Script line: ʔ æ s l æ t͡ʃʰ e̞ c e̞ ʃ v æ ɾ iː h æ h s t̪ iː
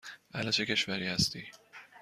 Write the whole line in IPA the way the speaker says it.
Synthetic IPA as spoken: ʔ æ l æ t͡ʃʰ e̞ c e̞ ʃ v æ ɾ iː h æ s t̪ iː